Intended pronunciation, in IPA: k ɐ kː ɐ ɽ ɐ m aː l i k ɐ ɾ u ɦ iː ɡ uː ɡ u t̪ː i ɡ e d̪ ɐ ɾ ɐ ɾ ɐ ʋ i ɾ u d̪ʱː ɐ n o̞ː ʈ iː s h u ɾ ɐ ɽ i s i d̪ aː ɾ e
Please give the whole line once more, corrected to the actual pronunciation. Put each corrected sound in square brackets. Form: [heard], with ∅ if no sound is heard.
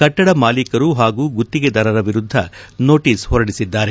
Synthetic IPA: k ɐ [ʈː] ɐ ɽ ɐ m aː l i k ɐ ɾ u ɦ [aː] ɡ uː ɡ u t̪ː i ɡ e d̪ ɐ ɾ ɐ ɾ ɐ ʋ i ɾ u d̪ʱː ɐ n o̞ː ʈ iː s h [ɔ] ɾ ɐ ɽ i s i [d̪ː] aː ɾ e

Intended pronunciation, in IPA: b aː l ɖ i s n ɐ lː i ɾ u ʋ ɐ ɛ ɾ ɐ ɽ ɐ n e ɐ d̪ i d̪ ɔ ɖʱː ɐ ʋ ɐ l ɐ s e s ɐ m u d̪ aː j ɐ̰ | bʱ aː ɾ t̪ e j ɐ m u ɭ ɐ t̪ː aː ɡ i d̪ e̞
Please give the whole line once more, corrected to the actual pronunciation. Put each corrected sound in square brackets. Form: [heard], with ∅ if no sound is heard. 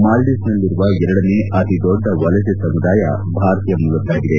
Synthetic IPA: [m] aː l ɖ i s n ɐ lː i ɾ u ʋ ɐ ɛ ɾ ɐ ɽ ɐ n e ɐ [t̪] i d̪ ɔ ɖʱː ɐ ʋ ɐ l ɐ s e s ɐ m u d̪ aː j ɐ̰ | bʱ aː ɾ t̪ [i] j ɐ m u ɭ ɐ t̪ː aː ɡ i d̪ e̞

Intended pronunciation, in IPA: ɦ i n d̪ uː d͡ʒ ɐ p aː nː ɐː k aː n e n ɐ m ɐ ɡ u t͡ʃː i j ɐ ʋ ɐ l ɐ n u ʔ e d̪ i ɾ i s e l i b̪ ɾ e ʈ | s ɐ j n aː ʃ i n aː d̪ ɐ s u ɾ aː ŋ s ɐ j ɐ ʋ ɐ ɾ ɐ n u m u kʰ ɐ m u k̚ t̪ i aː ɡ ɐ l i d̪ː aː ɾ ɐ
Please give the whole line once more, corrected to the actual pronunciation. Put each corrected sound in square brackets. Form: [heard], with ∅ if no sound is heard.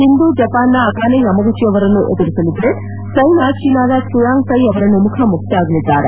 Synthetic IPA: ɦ i n d̪ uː d͡ʒ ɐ p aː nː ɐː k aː n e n ɐ m ɐ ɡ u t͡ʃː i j ɐ ʋ ɐ [ɾ] ɐ n u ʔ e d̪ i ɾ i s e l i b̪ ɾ e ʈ | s ɐ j n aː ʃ i n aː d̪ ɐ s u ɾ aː ŋ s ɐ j ɐ ʋ ɐ ɾ ɐ n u m u kʰ ɐ m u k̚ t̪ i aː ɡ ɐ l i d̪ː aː ɾ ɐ

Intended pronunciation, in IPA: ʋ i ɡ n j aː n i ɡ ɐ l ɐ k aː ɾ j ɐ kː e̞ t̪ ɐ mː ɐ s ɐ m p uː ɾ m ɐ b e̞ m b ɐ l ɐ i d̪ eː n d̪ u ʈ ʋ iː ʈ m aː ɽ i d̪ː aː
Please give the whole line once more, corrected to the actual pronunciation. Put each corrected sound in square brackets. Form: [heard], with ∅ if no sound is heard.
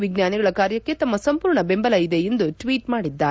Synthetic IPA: ʋ i ɡ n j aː n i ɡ ɐ [ɭ] ɐ k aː ɾ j ɐ kː e̞ t̪ ɐ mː ɐ s ɐ m p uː ɾ [ɳ] ɐ b e̞ m b ɐ l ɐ i d̪ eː n d̪ u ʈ ʋ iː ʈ m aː ɽ i d̪ː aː

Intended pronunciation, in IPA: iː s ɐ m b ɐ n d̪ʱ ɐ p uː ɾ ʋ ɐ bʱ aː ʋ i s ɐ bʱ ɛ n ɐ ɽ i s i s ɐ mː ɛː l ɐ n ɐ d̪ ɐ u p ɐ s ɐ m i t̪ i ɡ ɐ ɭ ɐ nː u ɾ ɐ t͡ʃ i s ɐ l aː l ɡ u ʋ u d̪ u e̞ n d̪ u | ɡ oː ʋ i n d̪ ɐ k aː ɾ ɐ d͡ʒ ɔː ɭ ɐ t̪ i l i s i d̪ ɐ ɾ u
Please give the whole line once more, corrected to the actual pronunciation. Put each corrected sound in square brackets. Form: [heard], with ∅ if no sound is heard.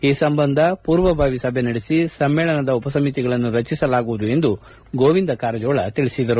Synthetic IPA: iː s ɐ m b ɐ n d̪ʱ ɐ p uː ɾ ʋ ɐ bʱ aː ʋ i s ɐ bʱ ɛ n ɐ ɽ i s i s ɐ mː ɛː [ɭ] ɐ n ɐ d̪ ɐ u p ɐ s ɐ m i t̪ i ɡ ɐ ɭ ɐ nː u ɾ ɐ t͡ʃ i s ɐ l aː [∅] ɡ u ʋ u d̪ u e̞ n d̪ u | ɡ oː ʋ i n d̪ ɐ k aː ɾ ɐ d͡ʒ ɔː ɭ ɐ t̪ i [ɭ] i s i d̪ ɐ ɾ u

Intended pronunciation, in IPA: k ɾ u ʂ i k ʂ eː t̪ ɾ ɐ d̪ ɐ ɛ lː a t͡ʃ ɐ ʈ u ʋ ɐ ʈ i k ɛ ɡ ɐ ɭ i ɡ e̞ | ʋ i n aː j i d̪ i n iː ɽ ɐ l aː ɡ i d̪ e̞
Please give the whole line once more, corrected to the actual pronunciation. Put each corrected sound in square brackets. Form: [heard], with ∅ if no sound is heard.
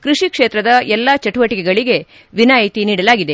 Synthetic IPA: k ɾ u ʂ i k ʂ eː t̪ ɾ ɐ d̪ ɐ ɛ lː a t͡ʃ ɐ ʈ u ʋ ɐ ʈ i k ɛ ɡ ɐ ɭ i ɡ e̞ | ʋ i n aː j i [t̪] i n iː ɽ ɐ l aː ɡ i d̪ e̞

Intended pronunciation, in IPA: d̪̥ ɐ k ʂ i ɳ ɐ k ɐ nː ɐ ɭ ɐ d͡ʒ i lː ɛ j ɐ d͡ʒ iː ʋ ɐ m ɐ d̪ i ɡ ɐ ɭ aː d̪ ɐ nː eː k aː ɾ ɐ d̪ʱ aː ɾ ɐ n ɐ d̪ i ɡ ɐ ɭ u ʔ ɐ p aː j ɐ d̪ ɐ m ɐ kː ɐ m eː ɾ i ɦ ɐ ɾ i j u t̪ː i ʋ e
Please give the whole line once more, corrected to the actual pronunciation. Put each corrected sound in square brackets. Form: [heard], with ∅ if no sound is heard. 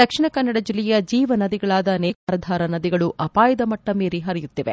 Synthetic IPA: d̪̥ ɐ k ʂ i ɳ ɐ k ɐ nː ɐ [ɽ] ɐ d͡ʒ i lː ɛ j ɐ d͡ʒ iː ʋ ɐ [n] ɐ d̪ i ɡ ɐ ɭ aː d̪ ɐ [n] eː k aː ɾ ɐ d̪ʱ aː ɾ ɐ n ɐ d̪ i ɡ ɐ ɭ u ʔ ɐ p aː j ɐ d̪ ɐ m ɐ [ʈː] ɐ m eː ɾ i ɦ ɐ ɾ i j u t̪ː i ʋ e

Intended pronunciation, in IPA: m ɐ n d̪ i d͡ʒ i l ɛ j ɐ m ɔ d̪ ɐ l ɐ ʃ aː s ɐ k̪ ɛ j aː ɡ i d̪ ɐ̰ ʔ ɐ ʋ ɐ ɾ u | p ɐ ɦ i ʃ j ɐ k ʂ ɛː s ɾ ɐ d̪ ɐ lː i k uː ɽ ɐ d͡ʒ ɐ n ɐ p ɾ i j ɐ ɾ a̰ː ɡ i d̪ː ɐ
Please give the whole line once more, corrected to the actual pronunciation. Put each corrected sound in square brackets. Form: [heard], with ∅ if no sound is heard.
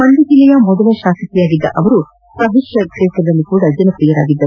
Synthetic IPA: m ɐ n d̪ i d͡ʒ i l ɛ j ɐ m ɔ d̪ ɐ l ɐ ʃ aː s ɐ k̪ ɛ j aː ɡ i [d̪ː] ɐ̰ ʔ ɐ ʋ ɐ ɾ u | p ɐ ɦ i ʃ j ɐ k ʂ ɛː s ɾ ɐ d̪ ɐ lː i k uː ɽ ɐ d͡ʒ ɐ n ɐ p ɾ i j ɐ ɾ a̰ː ɡ i d̪ː ɐ

